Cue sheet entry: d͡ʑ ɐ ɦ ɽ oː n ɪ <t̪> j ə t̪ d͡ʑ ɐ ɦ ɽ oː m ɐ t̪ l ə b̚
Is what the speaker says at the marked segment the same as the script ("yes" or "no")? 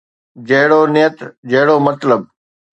no